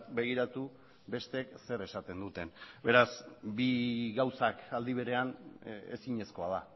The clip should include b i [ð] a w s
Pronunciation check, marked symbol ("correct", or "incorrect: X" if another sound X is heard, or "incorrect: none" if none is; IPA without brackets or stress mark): incorrect: ɣ